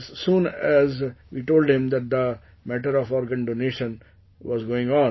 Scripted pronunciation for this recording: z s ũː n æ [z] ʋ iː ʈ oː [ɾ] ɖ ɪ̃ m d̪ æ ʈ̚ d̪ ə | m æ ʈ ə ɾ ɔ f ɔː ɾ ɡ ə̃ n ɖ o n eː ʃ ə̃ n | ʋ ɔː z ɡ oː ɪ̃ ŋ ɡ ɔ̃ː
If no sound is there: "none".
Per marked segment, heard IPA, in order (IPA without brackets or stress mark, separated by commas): z, l